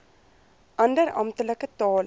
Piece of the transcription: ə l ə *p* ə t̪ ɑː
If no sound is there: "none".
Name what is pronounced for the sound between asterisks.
k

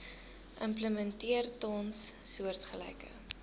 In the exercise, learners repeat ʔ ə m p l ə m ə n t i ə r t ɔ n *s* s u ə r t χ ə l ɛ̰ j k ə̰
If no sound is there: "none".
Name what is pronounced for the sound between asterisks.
s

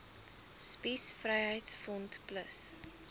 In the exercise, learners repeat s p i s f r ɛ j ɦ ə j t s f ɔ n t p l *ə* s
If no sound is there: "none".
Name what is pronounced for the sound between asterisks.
ə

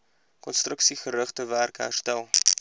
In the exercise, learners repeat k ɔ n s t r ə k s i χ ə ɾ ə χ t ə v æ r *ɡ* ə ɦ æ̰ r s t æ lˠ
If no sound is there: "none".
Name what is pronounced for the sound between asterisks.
k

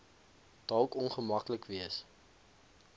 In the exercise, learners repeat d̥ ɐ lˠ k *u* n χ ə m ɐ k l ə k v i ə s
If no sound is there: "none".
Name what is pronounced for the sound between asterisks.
ɔ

